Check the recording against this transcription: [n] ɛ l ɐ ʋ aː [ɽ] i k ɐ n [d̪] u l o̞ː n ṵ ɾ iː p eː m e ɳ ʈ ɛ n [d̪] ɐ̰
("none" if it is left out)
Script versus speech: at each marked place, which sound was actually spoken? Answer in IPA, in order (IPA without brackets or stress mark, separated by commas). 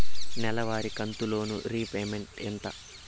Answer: n, ɾ, t̪, t̪